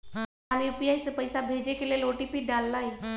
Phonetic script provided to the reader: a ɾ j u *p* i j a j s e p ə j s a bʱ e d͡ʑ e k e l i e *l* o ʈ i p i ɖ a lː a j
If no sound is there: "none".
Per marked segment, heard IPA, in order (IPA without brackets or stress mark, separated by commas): p, l